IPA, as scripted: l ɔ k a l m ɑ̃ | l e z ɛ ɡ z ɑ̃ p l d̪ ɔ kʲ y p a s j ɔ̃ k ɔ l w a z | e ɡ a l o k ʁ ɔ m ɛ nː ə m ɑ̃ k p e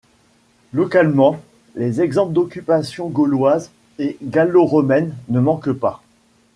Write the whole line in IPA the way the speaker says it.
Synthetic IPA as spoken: l ɔ k a l m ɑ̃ | l e z ɛ ɡ z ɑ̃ p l d̪ ɔ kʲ y p a s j ɔ̃ ɡ ɔ l w a z | e ɡ a l o ʁ ɔ m ɛ nː ə m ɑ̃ k p a

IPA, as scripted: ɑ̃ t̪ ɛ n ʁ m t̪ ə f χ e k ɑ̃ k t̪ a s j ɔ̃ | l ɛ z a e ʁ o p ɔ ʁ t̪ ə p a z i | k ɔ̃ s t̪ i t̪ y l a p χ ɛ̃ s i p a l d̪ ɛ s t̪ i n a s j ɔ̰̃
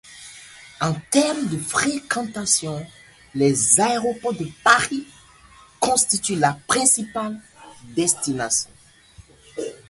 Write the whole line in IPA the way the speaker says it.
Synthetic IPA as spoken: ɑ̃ t̪ ɛ ʁ m d̪ ə f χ e k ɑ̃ t̪ a s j ɔ̃ | l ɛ z a e ʁ o p ɔ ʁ d̪ ə p a ʁ i | k ɔ̃ s t̪ i t̪ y l a p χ ɛ̃ s i p a l d̪ ɛ s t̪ i n a s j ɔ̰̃

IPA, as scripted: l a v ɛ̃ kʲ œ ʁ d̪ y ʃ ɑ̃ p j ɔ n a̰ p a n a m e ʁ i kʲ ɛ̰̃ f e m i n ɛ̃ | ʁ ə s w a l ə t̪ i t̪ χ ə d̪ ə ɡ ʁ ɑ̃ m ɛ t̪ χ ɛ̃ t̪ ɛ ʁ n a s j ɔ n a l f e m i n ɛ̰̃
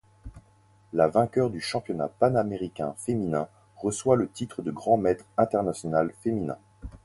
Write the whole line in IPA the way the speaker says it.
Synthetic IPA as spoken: l a v ɛ̃ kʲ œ ʁ d̪ y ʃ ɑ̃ p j ɔ n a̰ p a n a m e ʁ i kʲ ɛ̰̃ f e m i n ɛ̃ | ʁ ə s w a l ə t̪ i t̪ χ ə d̪ ə ɡ ʁ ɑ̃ m ɛ t̪ χ ɛ̃ t̪ ɛ ʁ n a s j ɔ n a l f e m i n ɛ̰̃

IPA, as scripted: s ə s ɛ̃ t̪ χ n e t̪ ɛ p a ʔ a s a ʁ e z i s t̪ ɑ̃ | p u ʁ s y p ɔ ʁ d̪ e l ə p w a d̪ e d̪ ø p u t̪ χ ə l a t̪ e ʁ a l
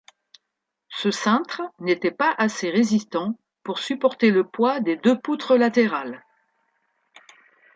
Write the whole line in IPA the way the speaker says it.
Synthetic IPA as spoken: s ə s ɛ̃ t̪ χ n e t̪ ɛ p a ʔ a s e ʁ e z i s t̪ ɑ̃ | p u ʁ s y p ɔ ʁ t̪ e l ə p w a d̪ e d̪ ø p u t̪ χ ə l a t̪ e ʁ a l

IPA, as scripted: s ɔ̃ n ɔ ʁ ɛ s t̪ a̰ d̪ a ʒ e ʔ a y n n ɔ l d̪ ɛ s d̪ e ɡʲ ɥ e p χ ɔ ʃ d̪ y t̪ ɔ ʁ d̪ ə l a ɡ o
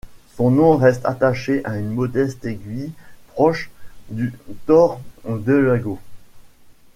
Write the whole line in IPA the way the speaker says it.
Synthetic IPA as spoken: s ɔ̃ n ɔ̃ ʁ ɛ s t̪ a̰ t̪ a ʃ e ʔ a y n m ɔ d̪ ɛ s t̪ e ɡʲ ɥ i p χ ɔ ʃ d̪ y t̪ ɔ ʁ d̪ ə l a ɡ o

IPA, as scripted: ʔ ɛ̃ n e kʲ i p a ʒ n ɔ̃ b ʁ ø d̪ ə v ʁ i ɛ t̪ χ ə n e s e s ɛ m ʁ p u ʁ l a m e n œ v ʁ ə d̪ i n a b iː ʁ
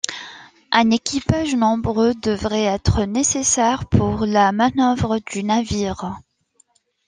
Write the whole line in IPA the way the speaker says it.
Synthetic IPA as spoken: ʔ ɛ̃ n e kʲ i p a ʒ n ɔ̃ b ʁ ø d̪ ə v ʁ ɛ ɛ t̪ χ ə n e s e s ɛ ʁ p u ʁ l a m a n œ v ʁ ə d̪ y n a v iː ʁ

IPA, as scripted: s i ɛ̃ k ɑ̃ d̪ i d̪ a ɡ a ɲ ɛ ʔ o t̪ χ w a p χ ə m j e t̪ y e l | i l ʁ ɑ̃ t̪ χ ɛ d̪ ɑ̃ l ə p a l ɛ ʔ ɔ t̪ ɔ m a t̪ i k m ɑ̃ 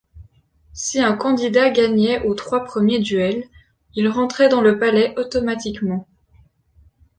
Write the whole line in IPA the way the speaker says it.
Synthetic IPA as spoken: s i ɛ̃ k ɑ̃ d̪ i d̪ a ɡ a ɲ ɛ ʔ o t̪ χ w a p χ ə m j e d̪ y ɛ l | i l ʁ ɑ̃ t̪ χ ɛ d̪ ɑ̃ l ə p a l ɛ ʔ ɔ t̪ ɔ m a t̪ i k m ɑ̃

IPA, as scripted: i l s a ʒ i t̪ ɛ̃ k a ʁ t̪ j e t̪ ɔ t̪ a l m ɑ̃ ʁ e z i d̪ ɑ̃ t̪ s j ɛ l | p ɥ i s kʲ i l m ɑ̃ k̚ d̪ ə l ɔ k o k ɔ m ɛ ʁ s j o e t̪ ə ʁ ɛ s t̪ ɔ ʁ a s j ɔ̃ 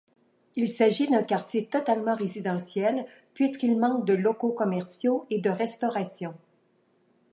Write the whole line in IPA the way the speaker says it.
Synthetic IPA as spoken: i l s a ʒ i d̪ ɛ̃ k a ʁ t̪ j e t̪ ɔ t̪ a l m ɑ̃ ʁ e z i d̪ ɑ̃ s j ɛ l | p ɥ i s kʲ i l m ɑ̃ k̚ d̪ ə l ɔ k o k ɔ m ɛ ʁ s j o e d̪ ə ʁ ɛ s t̪ ɔ ʁ a s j ɔ̃

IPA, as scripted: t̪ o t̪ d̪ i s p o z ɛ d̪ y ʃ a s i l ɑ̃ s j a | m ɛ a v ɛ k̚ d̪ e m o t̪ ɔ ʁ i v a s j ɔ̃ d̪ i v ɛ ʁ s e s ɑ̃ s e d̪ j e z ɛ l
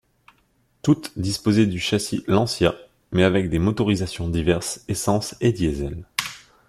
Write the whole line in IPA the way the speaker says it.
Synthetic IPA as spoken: t̪ u t̪ d̪ i s p o z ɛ d̪ y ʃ a s i l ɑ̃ s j a | m ɛ a v ɛ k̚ d̪ e m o t̪ ɔ ʁ i z a s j ɔ̃ d̪ i v ɛ ʁ s e s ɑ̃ s e d̪ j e z ɛ l

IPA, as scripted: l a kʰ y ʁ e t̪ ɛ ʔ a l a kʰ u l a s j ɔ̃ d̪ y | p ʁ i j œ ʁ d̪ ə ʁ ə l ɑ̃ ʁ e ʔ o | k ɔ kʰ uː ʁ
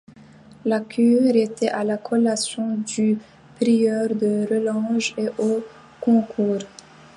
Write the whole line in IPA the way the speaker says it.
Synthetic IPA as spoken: l a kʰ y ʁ e t̪ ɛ ʔ a l a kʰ ɔ l a s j ɔ̃ d̪ y | p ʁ i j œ ʁ d̪ ə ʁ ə l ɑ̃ ʒ e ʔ o | k ɔ̃ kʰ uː ʁ

